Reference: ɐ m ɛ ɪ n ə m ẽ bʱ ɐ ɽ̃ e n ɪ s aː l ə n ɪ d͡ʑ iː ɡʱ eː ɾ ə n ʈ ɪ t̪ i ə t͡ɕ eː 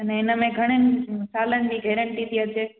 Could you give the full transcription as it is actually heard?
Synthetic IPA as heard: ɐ n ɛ ɪ n ə m ẽ ɡʱ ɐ ɽ̃ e n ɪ s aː l ə n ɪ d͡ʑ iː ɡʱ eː ɾ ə ɳ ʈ i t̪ i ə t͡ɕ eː